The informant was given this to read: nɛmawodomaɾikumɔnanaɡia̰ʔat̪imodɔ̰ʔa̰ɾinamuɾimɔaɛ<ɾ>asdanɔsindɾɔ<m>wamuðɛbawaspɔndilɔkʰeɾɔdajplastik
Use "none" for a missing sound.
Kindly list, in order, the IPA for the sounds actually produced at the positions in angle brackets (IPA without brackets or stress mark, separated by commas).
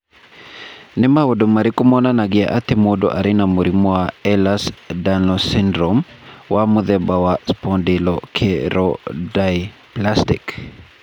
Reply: l, m